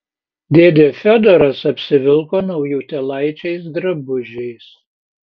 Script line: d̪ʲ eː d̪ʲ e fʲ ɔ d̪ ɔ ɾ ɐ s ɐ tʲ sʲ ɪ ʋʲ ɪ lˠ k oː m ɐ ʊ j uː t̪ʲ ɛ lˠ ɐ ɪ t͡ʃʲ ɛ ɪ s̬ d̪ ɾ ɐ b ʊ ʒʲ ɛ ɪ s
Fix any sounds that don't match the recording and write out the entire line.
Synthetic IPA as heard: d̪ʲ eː d̪ʲ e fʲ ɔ d̪ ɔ ɾ ɐ s ɐ pʲ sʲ ɪ ʋʲ ɪ lˠ k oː n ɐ ʊ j uː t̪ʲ ɛ lˠ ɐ ɪ t͡ʃʲ ɛ ɪ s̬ d̪ ɾ ɐ b ʊ ʒʲ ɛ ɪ s